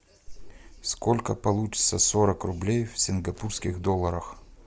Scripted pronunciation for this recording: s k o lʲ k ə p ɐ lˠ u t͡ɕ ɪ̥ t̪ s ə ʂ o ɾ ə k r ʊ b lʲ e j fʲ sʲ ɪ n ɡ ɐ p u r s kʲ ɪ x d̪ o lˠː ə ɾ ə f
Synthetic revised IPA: s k o lʲ k ə p ɐ lˠ u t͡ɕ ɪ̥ t̪ s ə s o ɾ ə k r ʊ b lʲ e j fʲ sʲ ɪ n ɡ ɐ p u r s kʲ ɪ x d̪ o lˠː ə ɾ ə x